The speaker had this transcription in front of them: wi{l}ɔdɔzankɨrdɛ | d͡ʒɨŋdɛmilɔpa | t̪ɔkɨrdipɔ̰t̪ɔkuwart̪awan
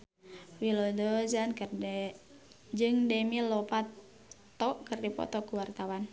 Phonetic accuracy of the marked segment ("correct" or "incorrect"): correct